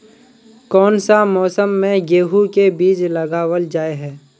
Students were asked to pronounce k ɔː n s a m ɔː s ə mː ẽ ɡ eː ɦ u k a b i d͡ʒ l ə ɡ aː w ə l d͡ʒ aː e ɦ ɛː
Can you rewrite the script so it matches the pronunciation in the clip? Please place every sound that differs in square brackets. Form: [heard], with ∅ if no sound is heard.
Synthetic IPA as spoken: k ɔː n s a m ɔː s ə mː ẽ ɡ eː ɦ u k [e] b [iː] d͡ʒ l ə ɡ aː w ə l d͡ʒ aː e ɦ ɛː